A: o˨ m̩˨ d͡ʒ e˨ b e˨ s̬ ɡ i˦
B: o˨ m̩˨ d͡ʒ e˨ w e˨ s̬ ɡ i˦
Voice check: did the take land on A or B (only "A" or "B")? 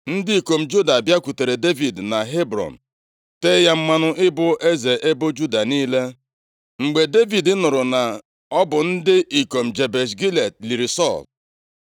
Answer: A